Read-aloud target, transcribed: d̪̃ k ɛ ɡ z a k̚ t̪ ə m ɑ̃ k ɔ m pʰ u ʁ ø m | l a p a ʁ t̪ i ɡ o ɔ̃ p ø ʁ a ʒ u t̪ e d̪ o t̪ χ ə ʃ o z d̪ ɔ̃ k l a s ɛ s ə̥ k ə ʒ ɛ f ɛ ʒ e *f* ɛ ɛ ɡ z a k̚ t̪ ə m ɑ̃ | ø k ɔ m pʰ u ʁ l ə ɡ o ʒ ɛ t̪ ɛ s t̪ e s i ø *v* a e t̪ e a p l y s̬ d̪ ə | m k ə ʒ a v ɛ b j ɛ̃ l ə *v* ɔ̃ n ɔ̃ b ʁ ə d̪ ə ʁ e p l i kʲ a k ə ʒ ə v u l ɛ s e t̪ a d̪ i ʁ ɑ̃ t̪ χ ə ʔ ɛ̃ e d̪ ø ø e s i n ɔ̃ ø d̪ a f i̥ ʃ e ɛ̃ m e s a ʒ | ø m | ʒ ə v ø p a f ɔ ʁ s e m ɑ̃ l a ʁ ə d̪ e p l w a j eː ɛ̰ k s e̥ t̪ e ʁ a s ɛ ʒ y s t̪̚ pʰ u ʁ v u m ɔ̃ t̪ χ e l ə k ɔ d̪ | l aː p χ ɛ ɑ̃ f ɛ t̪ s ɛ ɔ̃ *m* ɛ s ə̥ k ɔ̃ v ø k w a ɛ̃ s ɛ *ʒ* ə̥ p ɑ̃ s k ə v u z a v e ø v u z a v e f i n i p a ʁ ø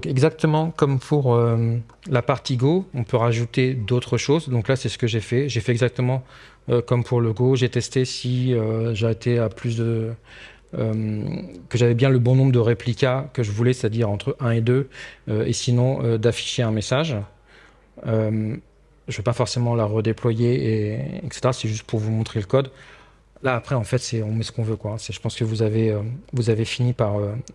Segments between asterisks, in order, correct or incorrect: correct, incorrect: ʒ, incorrect: b, correct, correct

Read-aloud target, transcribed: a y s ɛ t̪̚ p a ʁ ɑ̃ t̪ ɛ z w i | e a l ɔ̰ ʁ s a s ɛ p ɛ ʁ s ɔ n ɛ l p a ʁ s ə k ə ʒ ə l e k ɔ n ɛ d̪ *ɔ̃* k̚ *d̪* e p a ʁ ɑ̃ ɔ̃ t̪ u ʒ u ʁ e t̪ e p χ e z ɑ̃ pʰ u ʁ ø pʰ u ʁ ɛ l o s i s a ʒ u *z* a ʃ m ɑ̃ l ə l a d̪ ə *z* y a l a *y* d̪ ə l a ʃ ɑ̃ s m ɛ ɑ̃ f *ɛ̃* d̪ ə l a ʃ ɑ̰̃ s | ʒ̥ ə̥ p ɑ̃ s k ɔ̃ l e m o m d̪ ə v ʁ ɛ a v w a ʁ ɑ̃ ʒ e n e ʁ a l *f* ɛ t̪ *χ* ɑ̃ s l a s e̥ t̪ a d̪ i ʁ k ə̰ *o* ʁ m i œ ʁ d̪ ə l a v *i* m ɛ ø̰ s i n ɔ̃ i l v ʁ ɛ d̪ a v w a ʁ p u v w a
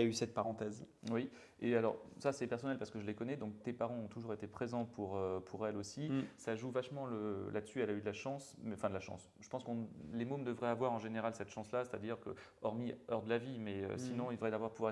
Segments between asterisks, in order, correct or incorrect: correct, incorrect: t̪, incorrect: v, incorrect: s, correct, correct, incorrect: s, incorrect: ʃ, incorrect: ɔ, correct

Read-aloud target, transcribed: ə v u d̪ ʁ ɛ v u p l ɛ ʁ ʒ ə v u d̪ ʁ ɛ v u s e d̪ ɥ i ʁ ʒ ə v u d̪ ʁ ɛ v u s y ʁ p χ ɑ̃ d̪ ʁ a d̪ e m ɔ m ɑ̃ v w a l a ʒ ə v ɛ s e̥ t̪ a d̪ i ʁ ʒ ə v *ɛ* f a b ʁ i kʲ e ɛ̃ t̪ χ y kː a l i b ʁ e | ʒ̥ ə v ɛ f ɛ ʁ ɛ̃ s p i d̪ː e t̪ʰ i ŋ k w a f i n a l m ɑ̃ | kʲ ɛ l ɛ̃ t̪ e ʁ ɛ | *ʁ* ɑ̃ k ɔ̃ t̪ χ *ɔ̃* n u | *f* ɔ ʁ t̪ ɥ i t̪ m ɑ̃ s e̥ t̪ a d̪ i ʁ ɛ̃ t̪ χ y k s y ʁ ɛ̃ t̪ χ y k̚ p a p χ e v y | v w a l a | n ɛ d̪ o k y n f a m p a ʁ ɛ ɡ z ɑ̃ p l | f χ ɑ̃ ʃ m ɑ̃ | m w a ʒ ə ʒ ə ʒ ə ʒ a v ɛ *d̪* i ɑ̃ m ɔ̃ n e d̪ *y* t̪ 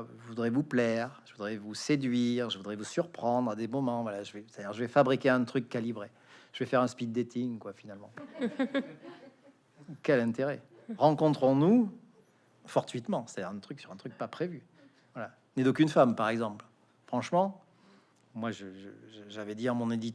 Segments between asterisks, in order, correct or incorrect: correct, correct, correct, correct, correct, incorrect: i

